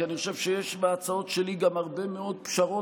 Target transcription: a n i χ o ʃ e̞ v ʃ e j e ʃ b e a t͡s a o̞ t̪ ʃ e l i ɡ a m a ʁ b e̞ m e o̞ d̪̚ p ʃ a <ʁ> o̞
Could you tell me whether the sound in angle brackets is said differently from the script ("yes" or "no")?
no